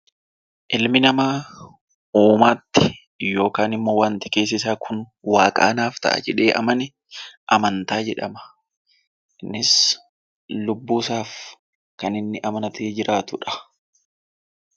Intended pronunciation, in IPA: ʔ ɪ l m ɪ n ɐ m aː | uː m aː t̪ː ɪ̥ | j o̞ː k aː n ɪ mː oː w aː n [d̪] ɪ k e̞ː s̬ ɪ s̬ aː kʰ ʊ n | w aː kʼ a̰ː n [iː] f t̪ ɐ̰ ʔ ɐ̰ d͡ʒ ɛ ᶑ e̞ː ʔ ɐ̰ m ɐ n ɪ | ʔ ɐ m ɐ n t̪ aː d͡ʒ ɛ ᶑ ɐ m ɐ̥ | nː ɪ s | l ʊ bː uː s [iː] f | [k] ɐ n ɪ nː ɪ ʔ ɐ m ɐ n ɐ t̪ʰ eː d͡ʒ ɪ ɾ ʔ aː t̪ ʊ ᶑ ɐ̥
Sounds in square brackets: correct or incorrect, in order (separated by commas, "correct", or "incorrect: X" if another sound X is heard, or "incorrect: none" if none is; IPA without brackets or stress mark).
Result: incorrect: t̪, incorrect: aː, incorrect: aː, correct